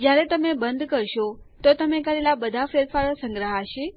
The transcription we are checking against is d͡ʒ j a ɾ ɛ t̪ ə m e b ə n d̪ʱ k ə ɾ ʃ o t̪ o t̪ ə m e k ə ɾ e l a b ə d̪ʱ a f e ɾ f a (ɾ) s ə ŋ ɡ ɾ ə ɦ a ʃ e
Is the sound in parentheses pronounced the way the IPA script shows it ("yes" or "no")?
yes